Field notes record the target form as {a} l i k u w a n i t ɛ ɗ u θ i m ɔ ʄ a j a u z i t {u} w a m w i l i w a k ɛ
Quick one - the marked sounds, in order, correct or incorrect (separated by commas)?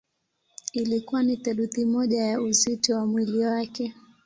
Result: incorrect, incorrect